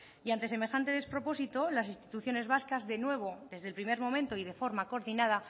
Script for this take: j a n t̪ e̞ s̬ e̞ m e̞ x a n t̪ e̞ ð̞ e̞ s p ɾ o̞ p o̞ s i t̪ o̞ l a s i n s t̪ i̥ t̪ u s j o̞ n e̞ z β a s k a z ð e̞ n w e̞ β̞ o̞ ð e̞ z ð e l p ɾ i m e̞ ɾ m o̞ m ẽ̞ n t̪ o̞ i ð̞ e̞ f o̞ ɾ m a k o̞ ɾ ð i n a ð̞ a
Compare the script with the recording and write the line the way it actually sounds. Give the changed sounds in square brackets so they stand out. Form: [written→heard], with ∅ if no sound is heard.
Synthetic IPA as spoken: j a n t̪ e̞ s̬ e̞ m e̞ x a n t̪ e̞ ð̞ e̞ s p ɾ o̞ p o̞ s i t̪ o̞ l a s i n s t̪ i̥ t̪ u [s→θ] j o̞ n e̞ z β a s k a z ð e̞ n w e̞ β̞ o̞ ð e̞ z ð e l p ɾ i m e̞ ɾ m o̞ m ẽ̞ n t̪ o̞ i ð̞ e̞ f o̞ ɾ m a k o̞ ɾ ð i n a ð̞ a